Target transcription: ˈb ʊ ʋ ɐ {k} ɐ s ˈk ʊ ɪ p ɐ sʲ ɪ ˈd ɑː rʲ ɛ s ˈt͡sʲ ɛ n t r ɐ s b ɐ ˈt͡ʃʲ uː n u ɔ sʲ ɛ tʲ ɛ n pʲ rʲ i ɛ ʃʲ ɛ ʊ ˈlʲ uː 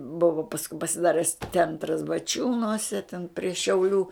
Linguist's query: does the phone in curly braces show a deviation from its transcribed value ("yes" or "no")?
yes